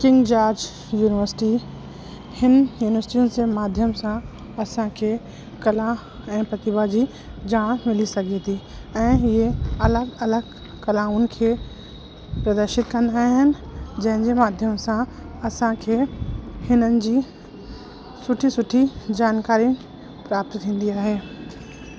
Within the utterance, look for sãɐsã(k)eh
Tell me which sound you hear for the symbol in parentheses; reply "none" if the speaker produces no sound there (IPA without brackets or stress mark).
kʰ